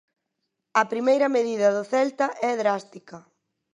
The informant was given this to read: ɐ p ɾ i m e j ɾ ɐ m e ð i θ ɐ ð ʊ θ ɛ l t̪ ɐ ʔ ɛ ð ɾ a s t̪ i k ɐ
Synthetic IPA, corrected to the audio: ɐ p ɾ i m e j ɾ ɐ m e ð i ð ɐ ð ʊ θ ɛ l t̪ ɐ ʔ ɛ ð ɾ a s t̪ i k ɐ